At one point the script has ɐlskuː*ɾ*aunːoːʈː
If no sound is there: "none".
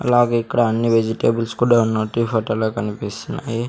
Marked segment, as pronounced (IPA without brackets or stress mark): ɽ